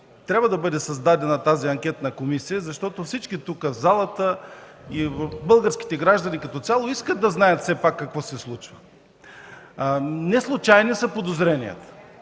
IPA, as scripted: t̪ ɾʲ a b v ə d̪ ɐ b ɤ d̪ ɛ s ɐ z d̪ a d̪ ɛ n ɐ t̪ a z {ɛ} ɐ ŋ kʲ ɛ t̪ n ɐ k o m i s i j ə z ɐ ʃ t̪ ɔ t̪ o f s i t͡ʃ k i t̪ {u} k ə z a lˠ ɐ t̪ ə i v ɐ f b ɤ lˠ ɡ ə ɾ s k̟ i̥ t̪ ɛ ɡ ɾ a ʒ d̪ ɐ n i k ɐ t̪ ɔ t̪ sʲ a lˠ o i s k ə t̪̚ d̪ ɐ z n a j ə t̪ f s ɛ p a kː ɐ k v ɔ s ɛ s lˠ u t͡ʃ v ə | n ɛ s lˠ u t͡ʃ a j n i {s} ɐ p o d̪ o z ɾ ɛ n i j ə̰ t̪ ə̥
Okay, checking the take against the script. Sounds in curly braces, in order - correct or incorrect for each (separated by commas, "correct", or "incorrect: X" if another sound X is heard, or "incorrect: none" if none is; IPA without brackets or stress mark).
incorrect: i, correct, correct